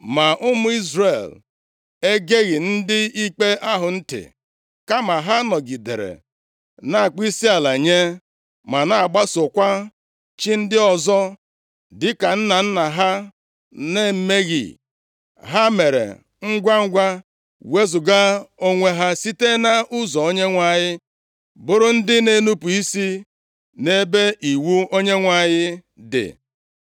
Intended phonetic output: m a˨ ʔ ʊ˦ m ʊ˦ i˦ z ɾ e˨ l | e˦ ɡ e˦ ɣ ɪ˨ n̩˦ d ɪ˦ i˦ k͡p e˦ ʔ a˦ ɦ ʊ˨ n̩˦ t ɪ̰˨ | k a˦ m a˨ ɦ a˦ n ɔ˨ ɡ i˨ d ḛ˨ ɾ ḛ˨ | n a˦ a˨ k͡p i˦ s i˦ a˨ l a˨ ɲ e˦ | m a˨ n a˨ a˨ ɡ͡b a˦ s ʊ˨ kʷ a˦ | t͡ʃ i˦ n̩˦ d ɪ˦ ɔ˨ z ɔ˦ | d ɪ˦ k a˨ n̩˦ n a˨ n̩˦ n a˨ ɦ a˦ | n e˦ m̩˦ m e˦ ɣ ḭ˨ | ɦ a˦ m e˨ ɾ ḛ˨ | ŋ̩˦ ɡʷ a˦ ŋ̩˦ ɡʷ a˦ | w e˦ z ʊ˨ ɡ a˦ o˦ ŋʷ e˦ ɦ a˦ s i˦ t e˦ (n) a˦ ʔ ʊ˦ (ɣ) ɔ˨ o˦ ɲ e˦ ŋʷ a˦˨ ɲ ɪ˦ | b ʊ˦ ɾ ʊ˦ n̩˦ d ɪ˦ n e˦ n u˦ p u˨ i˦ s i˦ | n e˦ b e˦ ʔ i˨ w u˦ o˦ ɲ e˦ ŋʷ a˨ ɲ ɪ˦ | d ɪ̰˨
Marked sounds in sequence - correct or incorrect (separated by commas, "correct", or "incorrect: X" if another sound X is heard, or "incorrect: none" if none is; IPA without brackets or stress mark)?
correct, incorrect: z